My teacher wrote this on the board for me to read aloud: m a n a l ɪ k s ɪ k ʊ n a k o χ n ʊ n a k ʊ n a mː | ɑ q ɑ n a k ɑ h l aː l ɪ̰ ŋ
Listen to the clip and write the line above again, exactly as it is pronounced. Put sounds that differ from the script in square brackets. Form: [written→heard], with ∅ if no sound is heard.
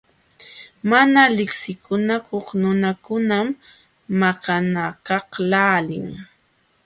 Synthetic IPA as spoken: m a n a l ɪ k s ɪ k ʊ n a k o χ n ʊ n a k ʊ n a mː | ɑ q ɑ n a k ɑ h l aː l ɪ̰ ŋ